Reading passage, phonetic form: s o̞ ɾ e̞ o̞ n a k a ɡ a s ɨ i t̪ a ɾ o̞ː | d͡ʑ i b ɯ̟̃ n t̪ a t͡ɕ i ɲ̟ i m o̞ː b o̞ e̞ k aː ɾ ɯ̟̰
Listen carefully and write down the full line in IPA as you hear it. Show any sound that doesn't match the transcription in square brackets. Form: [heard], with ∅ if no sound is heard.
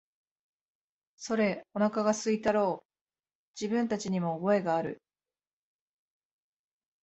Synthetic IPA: s o̞ ɾ e̞ o̞ n a k a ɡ a s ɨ i t̪ a ɾ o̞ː | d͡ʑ i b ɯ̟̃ n t̪ a t͡ɕ i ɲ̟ i m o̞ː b o̞ e̞ [ɡ] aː ɾ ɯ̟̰